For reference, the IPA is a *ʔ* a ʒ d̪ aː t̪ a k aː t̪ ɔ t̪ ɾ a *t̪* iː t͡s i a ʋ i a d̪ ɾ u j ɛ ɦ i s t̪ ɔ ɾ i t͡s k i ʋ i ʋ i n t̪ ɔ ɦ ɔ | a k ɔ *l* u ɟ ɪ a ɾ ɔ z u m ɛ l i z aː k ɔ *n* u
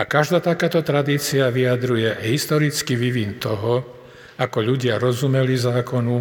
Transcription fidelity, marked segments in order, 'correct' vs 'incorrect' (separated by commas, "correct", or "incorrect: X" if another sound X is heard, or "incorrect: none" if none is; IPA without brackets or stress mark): incorrect: k, incorrect: d̪, incorrect: ʎ, correct